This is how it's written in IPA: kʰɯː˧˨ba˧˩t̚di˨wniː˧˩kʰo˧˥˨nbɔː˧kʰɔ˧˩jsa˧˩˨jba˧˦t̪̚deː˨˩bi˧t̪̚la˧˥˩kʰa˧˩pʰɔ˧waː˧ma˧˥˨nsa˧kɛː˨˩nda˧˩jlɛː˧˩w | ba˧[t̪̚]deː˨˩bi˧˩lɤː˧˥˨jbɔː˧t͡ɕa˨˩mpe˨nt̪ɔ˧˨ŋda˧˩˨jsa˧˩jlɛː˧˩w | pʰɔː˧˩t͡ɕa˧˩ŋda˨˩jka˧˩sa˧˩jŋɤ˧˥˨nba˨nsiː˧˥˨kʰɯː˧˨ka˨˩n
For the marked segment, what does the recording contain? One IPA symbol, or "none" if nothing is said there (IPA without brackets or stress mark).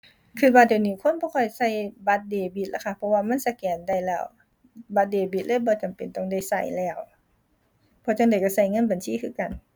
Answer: t̪̚